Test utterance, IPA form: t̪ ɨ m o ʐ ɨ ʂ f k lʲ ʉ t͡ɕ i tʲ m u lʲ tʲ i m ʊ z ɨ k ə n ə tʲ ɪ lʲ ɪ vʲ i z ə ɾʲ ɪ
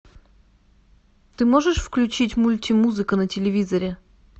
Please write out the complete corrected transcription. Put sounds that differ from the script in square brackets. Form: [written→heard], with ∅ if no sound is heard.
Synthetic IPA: t̪ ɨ m o ʐ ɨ ʂ f k lʲ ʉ t͡ɕ i tʲ m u lʲ tʲ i m [ʊ→u] z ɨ k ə n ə tʲ ɪ lʲ ɪ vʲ i z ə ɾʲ ɪ